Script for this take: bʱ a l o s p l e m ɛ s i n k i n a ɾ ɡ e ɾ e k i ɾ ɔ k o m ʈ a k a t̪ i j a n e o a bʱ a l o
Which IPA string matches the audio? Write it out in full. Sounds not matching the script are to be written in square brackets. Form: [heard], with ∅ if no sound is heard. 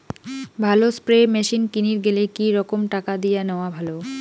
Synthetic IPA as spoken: bʱ a l o s p [ɾ] e m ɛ [ʃ] i n k i n [i] ɾ ɡ e [l] e k i ɾ ɔ k o m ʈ a k a [d̪] i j a n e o a bʱ a l o